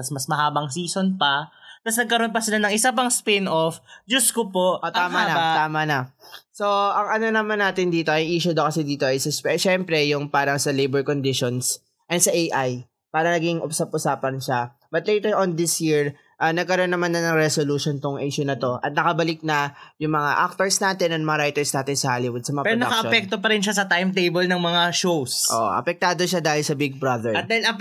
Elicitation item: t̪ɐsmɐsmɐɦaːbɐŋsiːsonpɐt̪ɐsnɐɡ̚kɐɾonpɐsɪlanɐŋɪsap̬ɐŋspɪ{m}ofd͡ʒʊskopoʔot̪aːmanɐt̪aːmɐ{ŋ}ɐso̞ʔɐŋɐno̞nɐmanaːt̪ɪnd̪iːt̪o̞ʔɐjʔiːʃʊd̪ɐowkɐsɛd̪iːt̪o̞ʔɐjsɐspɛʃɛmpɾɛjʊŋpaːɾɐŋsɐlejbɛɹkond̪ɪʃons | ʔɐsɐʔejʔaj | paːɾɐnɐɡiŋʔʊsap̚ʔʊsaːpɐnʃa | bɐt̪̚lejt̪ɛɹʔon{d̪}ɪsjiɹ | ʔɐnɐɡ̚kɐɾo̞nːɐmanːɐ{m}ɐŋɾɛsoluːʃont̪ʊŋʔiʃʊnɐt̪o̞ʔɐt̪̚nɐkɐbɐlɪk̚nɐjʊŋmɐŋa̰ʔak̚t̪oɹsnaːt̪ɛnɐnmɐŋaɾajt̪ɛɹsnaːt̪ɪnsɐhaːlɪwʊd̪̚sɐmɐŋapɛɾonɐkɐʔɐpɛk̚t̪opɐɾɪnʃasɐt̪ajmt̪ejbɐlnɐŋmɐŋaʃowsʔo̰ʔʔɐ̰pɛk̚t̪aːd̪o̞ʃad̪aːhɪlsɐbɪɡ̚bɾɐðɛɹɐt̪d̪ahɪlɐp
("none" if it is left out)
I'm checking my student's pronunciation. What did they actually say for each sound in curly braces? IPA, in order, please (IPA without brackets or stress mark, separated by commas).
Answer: n, n, d̪, n